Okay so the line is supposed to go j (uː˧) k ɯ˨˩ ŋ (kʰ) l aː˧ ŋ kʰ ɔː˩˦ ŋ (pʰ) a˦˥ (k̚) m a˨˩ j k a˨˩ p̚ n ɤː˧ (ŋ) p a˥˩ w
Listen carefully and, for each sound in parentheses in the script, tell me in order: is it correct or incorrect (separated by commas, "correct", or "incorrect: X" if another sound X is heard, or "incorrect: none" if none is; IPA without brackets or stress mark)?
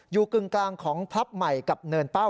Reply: incorrect: uː˨˩, incorrect: k, correct, incorrect: p̚, incorrect: n